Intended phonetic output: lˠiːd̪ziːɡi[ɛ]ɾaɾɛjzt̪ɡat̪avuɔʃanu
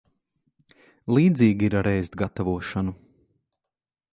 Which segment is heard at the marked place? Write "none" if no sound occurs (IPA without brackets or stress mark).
i